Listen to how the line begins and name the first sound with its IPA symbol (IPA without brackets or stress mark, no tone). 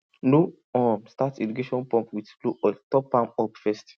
n